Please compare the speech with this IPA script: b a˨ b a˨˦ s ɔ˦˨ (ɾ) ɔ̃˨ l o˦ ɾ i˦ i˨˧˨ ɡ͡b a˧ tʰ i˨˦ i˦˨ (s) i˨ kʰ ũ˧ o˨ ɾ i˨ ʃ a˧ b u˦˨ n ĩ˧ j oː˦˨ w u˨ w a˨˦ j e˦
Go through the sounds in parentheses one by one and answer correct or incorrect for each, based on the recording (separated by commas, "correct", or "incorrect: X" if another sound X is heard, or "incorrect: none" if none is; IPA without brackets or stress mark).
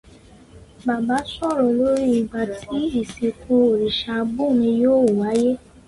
correct, correct